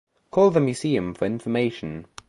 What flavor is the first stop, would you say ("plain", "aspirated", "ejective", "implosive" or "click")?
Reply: aspirated